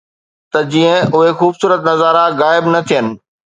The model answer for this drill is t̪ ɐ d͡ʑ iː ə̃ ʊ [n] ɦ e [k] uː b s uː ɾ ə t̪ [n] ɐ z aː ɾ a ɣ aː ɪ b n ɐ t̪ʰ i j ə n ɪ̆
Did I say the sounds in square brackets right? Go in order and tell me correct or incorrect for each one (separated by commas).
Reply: incorrect, incorrect, correct